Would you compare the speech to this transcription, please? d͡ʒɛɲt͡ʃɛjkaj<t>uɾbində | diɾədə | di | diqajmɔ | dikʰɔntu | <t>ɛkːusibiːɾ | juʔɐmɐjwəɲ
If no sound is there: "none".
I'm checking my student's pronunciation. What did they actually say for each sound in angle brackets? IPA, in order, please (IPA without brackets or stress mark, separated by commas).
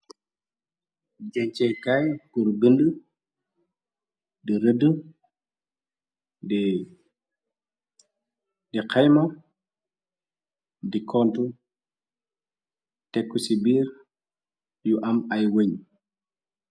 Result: k, t